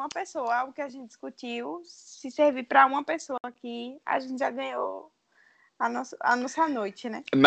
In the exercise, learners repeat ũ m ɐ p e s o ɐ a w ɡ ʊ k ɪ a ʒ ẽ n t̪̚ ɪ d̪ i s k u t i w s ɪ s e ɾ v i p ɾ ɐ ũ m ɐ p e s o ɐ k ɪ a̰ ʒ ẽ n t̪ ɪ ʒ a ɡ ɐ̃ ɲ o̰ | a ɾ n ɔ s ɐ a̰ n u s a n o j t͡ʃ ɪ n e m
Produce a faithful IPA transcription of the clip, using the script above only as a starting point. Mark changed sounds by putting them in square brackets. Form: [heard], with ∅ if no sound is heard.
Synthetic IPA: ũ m ɐ p e s o ɐ a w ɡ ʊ k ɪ a ʒ ẽ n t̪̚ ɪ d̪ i s k u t i w s ɪ s e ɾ v i p ɾ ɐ ũ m ɐ p e s o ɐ k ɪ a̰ ʒ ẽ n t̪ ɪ ʒ a ɡ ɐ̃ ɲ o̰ | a [∅] n ɔ s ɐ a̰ n [ɔ] s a n o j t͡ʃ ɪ n [ɛ] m